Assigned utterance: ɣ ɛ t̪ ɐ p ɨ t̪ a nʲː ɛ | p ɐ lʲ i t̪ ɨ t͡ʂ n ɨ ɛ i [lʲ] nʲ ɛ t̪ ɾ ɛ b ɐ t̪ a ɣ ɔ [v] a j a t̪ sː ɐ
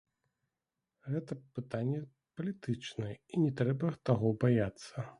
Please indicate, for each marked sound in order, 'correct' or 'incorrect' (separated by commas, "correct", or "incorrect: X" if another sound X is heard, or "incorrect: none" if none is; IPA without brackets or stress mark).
incorrect: none, incorrect: b